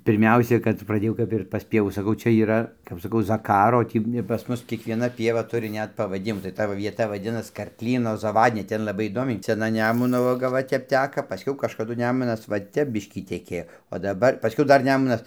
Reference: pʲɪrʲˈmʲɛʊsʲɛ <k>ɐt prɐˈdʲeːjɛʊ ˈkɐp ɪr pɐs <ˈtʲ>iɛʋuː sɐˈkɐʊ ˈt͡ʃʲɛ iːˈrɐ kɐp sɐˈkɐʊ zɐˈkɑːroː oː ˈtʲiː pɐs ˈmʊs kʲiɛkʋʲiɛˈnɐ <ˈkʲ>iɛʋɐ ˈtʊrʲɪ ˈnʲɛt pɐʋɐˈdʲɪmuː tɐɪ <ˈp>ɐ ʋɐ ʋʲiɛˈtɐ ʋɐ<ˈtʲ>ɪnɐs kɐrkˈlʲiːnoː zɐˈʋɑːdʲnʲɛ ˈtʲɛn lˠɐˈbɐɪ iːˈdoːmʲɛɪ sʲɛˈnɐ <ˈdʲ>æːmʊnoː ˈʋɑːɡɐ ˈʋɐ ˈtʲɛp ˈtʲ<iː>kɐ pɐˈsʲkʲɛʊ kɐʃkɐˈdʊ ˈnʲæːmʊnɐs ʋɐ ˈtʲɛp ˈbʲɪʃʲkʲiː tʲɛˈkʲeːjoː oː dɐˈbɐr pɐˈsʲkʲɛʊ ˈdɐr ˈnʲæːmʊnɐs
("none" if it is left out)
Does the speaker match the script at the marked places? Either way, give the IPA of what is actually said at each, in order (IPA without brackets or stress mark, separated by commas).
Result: k, pʲ, pʲ, t, dʲ, nʲ, æː